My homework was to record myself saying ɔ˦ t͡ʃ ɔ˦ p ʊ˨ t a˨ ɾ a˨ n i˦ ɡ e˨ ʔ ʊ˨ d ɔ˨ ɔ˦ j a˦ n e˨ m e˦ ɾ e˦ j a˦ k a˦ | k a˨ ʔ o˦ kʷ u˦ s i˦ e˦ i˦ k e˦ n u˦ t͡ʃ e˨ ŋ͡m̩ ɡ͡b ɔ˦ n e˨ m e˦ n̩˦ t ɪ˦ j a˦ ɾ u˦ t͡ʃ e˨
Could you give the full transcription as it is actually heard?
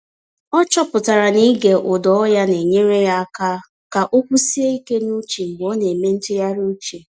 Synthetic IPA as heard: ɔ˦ t͡ʃ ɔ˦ p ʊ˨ t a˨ ɾ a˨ n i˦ ɡ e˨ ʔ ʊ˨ d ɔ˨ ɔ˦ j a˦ n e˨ ɲ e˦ ɾ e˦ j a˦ k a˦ | k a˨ ʔ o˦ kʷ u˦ s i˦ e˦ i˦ k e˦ n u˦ t͡ʃ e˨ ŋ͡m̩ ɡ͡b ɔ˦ n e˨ m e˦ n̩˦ t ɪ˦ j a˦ ɾ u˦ t͡ʃ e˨